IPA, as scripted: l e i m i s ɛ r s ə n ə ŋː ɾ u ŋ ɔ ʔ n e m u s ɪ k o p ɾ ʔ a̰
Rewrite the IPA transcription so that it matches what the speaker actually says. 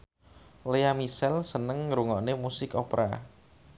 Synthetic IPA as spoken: l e a m i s ɛ l s ə n ə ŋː ɾ u ŋ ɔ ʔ n e m u s ɪ k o p ɾ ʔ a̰